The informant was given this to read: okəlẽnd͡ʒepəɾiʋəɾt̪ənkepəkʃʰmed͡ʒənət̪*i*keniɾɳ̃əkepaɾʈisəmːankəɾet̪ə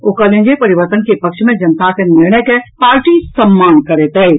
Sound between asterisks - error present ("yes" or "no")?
yes